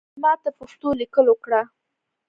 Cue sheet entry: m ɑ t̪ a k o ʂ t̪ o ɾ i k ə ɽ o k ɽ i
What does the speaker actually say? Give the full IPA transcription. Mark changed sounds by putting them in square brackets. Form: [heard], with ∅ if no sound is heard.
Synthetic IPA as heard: m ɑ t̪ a [p] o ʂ t̪ o [l] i k ə [l] o k ɽ [a]

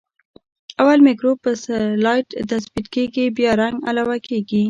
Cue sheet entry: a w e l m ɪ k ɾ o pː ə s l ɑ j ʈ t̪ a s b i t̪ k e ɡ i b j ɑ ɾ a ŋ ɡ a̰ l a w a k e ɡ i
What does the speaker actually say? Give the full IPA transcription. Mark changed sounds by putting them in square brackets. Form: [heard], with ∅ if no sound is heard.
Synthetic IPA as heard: a w [a] l m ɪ k ɾ o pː ə s l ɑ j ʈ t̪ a s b i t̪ k e ɡ i b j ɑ ɾ a ŋ ɡ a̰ l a w a k e ɡ i

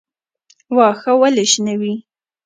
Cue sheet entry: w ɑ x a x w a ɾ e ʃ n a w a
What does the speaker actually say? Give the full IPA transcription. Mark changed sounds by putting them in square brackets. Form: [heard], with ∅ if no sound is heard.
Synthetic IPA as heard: w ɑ x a [∅] w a [l] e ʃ n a w [i]

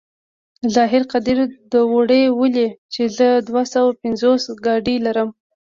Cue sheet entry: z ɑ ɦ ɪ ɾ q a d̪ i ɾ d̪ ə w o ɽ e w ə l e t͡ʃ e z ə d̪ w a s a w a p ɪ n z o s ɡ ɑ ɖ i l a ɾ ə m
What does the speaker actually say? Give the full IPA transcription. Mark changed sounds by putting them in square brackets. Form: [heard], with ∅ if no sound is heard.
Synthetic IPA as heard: z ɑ ɦ ɪ ɾ q a d̪ i ɾ d̪ ə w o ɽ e w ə l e t͡ʃ e z ə d̪ w a s a w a p ɪ n z o s ɡ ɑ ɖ i l a ɾ ə m

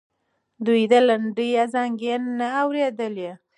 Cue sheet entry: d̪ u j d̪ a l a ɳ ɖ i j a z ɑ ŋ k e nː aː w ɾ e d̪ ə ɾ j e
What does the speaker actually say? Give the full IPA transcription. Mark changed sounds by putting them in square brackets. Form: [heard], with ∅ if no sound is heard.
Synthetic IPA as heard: d̪ u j d̪ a l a ɳ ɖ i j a z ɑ ŋ [ɡ] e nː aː w ɾ e d̪ ə [l] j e

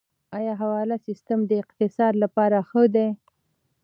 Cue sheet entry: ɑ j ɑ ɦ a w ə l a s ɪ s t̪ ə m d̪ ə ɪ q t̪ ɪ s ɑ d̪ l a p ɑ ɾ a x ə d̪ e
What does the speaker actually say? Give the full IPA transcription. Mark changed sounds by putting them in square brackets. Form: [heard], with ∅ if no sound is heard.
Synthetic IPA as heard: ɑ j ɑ ɦ a w [ɑ] l a s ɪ s t̪ ə m d̪ ə ɪ q t̪ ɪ s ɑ d̪ l a p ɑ ɾ a x ə d̪ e

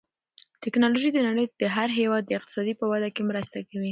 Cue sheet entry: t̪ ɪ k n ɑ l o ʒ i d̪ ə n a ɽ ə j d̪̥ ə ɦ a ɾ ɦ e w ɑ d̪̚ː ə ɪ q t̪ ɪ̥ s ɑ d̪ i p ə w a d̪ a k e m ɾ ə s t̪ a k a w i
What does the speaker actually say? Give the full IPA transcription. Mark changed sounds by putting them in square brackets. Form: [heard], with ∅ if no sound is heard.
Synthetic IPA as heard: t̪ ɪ k n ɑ l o ʒ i d̪ ə n a ɽ ə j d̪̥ ə ɦ a ɾ ɦ e w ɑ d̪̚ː ə ɪ q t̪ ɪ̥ s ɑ d̪ i p ə w a d̪ a k e m ɾ ə s t̪ a k a w i

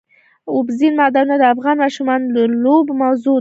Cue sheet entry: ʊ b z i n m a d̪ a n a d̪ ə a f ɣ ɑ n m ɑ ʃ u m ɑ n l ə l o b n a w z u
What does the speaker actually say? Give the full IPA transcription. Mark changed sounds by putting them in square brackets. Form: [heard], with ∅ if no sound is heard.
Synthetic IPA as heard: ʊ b z i n m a d̪ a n a d̪ ə a f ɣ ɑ n m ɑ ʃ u m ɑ n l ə l o b [m] a w z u

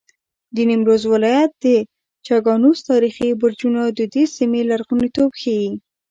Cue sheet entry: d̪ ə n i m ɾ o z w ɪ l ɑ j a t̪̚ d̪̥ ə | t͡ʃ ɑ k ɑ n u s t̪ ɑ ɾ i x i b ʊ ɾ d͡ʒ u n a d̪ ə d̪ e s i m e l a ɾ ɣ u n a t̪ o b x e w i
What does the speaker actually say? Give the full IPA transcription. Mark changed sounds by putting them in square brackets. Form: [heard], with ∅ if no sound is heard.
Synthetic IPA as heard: d̪ ə n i m ɾ o z w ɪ l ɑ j a t̪̚ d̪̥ ə | t͡ʃ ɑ [ɡ] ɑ n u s t̪ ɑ ɾ i x i b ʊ ɾ d͡ʒ u n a d̪ ə d̪ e s i m e l a ɾ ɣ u n [i] t̪ o b x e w i

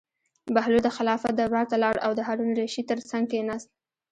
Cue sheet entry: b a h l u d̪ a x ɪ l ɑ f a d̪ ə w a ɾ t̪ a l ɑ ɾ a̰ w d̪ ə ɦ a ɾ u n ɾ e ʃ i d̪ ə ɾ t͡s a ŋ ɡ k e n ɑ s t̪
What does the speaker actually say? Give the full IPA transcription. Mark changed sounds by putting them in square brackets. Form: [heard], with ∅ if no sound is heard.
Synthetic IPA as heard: b a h l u d̪ [ə] x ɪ l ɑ f a d̪ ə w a ɾ t̪ a l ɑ [ɽ] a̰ w d̪ ə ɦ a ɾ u n ɾ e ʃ i [t̪] ə ɾ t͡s a ŋ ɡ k e n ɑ s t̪

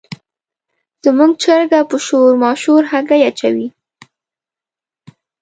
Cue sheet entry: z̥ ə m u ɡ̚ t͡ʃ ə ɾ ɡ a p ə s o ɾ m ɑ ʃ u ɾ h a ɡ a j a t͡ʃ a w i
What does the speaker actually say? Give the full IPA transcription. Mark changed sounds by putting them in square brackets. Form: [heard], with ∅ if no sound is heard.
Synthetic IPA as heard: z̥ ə m u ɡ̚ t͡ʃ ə ɾ ɡ a p ə [ʃ] o ɾ m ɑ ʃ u ɾ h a ɡ a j a t͡ʃ a w i

